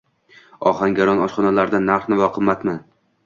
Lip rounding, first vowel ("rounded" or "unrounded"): rounded